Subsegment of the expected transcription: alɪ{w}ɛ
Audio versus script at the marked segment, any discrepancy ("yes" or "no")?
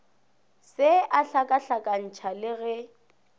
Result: yes